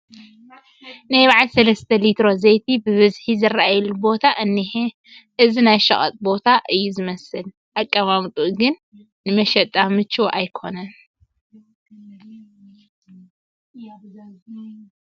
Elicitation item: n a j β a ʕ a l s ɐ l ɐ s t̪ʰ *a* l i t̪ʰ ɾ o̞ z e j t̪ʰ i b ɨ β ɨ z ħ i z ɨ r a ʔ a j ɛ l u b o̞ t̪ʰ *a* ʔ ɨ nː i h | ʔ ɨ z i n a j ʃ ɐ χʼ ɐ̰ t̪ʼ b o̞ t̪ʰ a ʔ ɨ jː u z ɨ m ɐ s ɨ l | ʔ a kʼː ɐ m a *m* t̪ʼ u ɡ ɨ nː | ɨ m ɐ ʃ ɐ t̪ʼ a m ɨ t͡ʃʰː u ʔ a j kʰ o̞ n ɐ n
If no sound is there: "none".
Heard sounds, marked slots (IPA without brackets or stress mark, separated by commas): ɐ, a, m